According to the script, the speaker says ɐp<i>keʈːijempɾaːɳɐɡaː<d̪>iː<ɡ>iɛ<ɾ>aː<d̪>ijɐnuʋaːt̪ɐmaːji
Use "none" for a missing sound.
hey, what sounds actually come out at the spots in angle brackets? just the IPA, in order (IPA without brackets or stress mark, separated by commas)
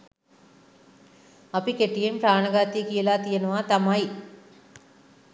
i, t̪, k, l, t̪